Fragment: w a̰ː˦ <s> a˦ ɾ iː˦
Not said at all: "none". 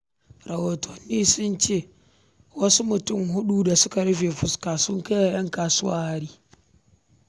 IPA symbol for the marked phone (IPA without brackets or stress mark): h